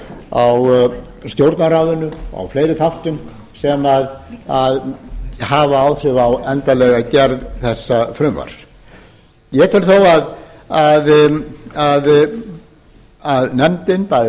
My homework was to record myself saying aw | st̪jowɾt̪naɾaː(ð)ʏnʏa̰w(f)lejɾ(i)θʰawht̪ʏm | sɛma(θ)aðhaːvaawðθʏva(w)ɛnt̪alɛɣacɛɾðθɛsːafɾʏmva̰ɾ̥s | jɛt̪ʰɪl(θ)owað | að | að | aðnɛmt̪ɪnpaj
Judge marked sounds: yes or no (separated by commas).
yes, yes, no, no, yes, yes